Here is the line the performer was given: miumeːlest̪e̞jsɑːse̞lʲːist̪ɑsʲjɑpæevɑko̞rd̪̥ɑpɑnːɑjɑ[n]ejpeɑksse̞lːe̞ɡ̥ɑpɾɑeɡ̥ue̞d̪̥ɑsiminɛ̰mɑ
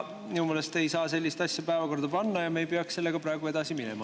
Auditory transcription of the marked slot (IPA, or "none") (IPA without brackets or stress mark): m